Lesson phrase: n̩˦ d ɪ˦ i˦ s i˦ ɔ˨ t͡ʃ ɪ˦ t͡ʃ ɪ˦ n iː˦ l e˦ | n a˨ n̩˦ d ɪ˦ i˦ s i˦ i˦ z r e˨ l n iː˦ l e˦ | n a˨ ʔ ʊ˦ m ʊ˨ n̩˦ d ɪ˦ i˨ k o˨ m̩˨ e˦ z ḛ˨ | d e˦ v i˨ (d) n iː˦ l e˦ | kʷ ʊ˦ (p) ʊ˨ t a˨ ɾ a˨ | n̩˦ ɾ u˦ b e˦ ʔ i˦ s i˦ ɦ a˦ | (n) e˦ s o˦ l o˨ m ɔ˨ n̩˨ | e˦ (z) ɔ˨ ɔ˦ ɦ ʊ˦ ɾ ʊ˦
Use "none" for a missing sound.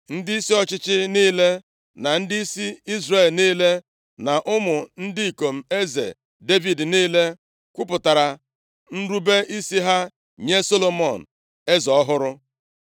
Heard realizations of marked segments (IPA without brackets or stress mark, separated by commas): d, p, ɲ, z